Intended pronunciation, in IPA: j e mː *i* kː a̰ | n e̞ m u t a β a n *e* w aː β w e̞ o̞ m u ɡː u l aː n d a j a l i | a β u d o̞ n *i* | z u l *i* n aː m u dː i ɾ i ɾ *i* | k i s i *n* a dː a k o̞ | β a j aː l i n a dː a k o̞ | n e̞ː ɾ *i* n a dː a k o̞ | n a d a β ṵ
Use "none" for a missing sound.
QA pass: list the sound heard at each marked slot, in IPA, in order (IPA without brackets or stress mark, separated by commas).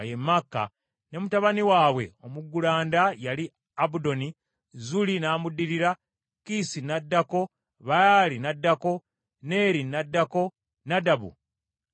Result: a, i, i, i, a, n, i